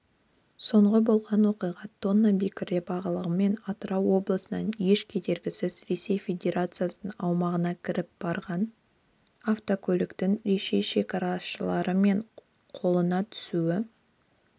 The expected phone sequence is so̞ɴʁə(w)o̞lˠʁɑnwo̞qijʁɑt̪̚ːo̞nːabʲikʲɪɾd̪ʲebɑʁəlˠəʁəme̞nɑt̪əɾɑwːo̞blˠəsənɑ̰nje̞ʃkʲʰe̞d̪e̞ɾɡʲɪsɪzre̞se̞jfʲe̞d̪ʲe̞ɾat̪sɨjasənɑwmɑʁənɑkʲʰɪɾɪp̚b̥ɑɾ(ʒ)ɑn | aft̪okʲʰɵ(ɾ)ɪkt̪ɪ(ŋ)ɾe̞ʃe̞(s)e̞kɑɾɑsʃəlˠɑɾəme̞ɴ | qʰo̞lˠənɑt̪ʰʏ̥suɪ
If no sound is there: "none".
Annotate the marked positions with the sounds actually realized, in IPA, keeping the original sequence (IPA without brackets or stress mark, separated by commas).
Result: b, ʁ, l, ŋ, ʃ